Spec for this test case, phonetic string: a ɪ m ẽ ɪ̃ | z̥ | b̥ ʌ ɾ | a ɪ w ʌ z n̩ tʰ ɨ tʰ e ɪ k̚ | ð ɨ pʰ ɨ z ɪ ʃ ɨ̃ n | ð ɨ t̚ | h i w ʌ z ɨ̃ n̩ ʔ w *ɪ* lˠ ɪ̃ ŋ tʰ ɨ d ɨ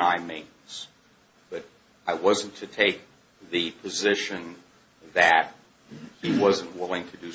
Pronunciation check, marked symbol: correct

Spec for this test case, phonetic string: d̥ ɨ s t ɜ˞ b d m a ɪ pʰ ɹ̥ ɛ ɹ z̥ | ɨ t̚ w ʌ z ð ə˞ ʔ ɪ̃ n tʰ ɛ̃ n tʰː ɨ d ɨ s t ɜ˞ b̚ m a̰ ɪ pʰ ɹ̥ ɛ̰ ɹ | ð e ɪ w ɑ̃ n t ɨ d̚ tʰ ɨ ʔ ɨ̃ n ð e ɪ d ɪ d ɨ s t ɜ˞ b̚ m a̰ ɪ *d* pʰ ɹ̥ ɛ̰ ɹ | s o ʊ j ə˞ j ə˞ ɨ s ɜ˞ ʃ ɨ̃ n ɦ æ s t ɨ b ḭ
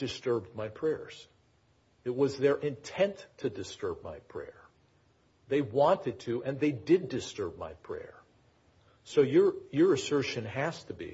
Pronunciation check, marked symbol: incorrect: none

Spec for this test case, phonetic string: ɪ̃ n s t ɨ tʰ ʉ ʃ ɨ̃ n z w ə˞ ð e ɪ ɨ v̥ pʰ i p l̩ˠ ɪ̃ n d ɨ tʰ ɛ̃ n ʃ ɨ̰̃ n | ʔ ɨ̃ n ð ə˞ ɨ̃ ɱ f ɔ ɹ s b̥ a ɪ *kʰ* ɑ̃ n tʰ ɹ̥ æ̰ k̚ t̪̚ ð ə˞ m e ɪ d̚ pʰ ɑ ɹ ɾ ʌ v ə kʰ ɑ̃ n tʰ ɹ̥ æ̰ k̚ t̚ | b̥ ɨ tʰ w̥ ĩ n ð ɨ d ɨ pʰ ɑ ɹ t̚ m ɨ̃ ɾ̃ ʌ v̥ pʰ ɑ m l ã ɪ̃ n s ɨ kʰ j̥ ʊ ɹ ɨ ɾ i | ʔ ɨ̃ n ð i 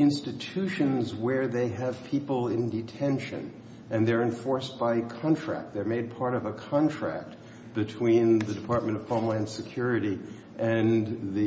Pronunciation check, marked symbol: correct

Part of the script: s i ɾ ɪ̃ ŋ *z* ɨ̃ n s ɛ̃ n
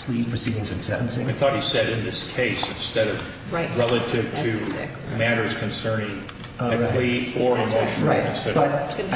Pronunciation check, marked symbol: correct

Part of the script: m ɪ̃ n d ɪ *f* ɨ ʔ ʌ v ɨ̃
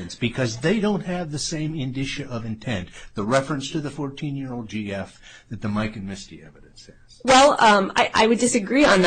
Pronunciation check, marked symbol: incorrect: ʃ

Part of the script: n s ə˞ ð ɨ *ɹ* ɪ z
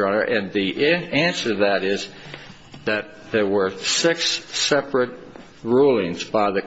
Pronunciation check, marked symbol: incorrect: ɾ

